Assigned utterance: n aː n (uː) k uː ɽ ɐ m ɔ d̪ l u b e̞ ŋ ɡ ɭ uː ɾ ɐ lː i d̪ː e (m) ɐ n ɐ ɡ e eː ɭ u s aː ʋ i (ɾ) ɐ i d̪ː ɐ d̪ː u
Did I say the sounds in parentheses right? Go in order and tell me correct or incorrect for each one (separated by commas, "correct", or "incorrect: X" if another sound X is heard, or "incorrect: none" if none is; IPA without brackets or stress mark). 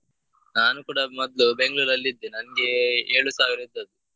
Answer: incorrect: u, incorrect: n, correct